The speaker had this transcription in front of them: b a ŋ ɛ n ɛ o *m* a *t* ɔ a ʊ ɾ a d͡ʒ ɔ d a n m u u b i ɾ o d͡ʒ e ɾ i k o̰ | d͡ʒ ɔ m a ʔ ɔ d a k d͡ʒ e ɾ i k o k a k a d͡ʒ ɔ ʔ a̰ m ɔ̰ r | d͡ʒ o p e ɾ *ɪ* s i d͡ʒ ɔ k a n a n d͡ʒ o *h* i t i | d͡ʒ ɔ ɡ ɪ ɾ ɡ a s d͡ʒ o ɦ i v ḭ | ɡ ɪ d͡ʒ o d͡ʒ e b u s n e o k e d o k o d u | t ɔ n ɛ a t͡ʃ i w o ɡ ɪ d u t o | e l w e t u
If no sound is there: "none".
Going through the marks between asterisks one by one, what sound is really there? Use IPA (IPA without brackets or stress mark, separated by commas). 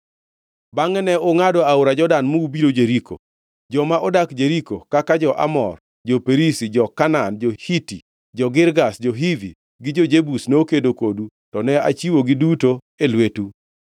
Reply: ŋ, d, i, h